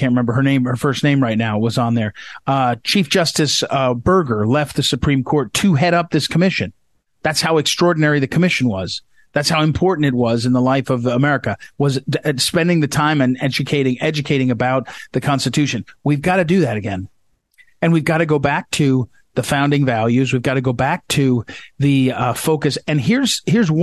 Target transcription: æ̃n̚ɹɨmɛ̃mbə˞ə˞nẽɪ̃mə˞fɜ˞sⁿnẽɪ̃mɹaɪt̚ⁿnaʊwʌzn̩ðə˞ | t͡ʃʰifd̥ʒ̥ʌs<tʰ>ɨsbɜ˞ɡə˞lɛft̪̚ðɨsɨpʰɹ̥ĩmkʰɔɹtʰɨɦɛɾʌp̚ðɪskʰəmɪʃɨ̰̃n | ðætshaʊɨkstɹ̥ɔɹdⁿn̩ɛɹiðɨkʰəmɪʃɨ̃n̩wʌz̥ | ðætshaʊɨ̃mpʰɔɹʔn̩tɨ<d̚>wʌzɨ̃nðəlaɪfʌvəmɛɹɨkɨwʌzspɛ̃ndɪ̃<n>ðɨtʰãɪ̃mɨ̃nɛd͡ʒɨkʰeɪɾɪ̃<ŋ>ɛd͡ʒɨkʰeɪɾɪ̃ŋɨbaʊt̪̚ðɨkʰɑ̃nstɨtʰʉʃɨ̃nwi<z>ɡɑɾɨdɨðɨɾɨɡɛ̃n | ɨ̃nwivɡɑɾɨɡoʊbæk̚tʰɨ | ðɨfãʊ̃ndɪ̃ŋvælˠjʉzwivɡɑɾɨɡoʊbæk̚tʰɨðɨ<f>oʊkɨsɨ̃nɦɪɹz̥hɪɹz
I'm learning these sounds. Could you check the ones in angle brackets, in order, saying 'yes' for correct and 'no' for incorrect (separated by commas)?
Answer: no, no, no, yes, no, yes